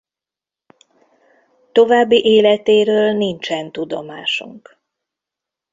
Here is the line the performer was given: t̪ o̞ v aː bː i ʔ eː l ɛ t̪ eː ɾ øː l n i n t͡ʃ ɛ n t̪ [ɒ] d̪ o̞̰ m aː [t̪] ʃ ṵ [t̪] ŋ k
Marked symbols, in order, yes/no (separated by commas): no, no, no